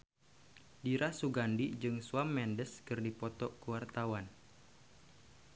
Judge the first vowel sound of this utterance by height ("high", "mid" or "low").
high